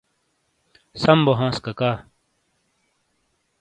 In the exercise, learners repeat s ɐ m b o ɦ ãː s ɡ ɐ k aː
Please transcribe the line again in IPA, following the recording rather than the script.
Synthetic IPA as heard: s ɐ m b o ɦ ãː s k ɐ k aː

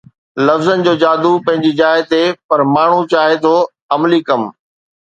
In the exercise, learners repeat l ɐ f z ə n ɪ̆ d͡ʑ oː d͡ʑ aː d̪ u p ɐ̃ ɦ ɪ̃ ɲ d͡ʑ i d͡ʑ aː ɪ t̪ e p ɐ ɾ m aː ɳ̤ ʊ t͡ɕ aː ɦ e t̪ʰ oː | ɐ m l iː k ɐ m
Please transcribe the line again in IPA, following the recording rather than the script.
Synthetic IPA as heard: l ɐ f z ə n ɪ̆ d͡ʑ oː d͡ʑ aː d̪ u p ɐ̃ ɦ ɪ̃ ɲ d͡ʑ i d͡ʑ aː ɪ t̪ e p ɐ ɾ m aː ɳ̤ u t͡ɕ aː ɦ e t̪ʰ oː | ɐ m l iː k ɐ m

